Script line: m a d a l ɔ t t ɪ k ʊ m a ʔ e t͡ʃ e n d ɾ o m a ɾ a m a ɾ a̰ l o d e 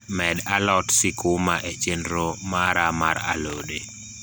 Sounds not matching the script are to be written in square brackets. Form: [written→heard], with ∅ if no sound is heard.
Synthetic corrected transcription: m [a→ɛ] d a l ɔ t [t→s] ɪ k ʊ m a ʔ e t͡ʃ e n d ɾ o m a ɾ a m a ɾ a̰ l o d e